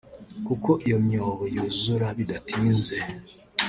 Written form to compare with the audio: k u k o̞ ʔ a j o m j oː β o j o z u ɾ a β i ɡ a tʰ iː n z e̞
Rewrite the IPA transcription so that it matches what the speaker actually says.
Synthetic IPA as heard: k u k o̞ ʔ i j o m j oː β o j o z u ɾ a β i d a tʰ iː n z e̞